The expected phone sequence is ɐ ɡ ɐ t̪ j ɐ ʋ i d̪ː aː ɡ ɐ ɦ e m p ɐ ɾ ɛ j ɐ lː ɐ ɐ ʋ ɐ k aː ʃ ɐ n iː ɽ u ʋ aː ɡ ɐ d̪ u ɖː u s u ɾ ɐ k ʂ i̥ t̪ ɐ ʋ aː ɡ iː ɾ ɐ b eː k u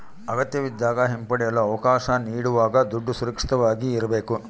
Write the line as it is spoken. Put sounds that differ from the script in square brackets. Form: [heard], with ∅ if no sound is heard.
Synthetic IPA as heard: ɐ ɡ ɐ t̪ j ɐ ʋ i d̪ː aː ɡ ɐ ɦ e m p ɐ [ɽ] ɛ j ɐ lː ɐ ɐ ʋ ɐ k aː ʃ ɐ n iː ɽ u ʋ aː ɡ ɐ d̪ u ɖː u s u ɾ ɐ k ʂ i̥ t̪ ɐ ʋ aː ɡ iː ɾ ɐ b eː k u